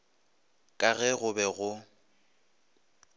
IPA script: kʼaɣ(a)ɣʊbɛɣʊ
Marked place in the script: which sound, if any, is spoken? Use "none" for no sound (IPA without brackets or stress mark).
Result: ɛ